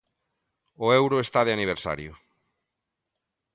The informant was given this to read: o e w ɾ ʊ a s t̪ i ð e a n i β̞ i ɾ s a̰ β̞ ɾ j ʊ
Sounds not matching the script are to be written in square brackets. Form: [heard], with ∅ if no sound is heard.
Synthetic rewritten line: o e w ɾ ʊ [e] s t̪ [a] ð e a n i β̞ [e] ɾ s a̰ [∅] ɾ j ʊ